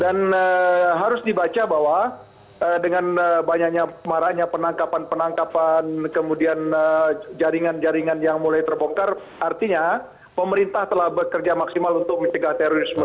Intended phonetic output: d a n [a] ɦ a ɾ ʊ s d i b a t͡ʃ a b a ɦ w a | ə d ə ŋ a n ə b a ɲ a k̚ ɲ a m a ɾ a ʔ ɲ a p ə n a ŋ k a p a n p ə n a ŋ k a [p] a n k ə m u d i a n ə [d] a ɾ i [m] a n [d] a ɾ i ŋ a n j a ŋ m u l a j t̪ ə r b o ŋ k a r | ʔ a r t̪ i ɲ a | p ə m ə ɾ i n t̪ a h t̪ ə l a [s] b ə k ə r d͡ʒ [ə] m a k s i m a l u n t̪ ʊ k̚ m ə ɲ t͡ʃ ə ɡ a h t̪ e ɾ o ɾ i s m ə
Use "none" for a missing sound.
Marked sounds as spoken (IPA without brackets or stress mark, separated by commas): ə, p, d͡ʒ, ŋ, d͡ʒ, h, a